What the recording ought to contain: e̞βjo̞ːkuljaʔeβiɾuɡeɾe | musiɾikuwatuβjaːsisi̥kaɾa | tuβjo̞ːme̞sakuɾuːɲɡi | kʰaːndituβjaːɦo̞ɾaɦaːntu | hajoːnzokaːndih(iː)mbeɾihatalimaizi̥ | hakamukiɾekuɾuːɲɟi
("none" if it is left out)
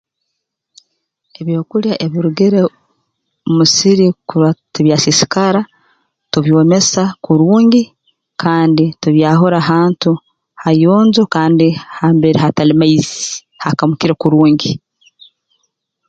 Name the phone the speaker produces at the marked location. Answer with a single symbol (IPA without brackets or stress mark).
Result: aː